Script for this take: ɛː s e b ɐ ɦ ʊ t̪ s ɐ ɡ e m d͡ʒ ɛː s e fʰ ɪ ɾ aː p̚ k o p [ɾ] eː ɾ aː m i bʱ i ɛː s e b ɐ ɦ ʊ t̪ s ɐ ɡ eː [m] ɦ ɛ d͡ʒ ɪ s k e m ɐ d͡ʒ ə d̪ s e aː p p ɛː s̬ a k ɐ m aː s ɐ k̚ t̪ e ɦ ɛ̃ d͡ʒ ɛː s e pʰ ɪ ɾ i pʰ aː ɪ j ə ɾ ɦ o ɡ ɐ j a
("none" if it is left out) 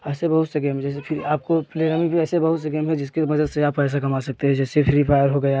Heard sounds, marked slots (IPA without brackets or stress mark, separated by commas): l, m